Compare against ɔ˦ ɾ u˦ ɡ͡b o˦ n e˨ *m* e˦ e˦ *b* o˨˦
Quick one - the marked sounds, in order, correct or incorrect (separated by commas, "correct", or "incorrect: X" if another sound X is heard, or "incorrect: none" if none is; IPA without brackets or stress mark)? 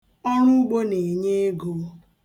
incorrect: ɲ, incorrect: ɡ